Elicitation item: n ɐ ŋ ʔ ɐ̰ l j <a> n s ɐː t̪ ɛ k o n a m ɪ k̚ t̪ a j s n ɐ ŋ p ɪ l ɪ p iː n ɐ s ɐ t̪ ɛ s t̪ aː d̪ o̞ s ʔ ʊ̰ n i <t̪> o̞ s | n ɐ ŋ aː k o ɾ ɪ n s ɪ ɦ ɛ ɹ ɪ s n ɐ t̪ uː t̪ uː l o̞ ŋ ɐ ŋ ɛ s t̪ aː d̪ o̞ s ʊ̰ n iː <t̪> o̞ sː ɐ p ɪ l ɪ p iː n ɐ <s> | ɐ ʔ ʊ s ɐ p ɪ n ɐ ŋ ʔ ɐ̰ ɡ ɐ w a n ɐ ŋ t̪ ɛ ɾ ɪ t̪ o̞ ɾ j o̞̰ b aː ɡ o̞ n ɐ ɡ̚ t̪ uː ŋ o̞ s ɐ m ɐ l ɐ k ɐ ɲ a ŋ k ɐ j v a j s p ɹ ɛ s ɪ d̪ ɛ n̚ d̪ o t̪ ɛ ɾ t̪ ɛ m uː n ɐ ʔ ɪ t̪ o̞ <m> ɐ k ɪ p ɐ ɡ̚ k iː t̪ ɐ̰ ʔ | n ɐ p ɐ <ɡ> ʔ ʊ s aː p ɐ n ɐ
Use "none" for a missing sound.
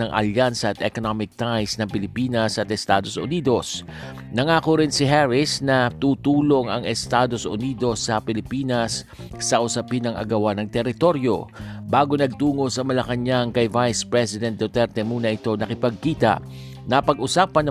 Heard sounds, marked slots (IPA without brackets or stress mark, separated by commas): a, d̪, d̪, sː, n, ɡ